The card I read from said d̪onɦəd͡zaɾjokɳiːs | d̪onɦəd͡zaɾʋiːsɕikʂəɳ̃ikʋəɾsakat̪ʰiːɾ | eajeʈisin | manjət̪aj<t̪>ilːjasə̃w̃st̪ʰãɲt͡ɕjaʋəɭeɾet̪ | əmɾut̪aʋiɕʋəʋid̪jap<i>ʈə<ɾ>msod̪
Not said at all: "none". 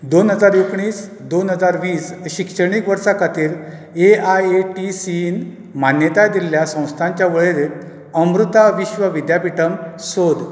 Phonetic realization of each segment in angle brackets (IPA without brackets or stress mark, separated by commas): d̪, i, none